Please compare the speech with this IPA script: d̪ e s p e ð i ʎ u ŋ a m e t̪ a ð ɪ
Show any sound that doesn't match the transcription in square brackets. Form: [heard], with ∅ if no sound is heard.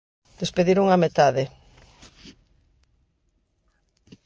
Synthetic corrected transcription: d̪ e s p e ð i [ɾ] u ŋ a m e t̪ a ð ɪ